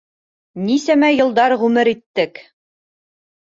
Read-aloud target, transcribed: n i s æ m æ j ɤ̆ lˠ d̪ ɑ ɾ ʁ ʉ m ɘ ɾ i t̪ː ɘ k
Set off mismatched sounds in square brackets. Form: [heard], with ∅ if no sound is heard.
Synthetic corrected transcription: n i s æ m æ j ɤ̆ lˠ d̪ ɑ ɾ ʁ ʉ m ɘ ɾ i t̪ː ɘ k